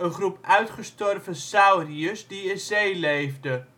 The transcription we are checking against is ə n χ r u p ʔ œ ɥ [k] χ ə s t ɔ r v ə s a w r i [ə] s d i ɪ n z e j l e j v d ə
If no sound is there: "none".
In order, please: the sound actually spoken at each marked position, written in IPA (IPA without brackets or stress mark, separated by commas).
t, ə